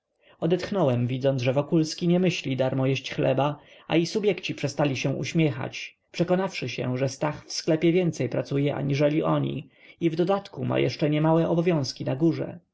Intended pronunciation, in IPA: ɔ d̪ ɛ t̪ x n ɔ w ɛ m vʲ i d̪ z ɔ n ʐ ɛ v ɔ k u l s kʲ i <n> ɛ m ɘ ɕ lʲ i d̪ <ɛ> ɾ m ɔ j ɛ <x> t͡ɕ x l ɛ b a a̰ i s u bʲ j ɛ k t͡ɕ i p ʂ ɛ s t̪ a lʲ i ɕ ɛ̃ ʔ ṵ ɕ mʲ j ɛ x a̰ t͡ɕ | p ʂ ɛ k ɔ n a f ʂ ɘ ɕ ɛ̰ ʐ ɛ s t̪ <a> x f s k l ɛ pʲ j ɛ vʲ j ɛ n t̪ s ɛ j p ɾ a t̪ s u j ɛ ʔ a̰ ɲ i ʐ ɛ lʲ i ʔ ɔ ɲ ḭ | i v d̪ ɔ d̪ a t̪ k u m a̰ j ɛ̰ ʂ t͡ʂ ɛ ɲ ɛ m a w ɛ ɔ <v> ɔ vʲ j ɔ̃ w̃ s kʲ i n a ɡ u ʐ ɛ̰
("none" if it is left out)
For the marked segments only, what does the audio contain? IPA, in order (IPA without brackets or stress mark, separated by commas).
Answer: ɲ, a, ɕ, a, b